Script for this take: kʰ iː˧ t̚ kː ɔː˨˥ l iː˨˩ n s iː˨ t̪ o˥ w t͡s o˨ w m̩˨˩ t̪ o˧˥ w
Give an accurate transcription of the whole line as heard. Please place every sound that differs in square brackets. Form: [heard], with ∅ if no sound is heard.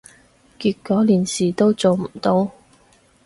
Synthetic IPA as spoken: [k] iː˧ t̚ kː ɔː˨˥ l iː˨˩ n s iː˨ t̪ o˥ w t͡s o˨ w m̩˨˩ t̪ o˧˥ w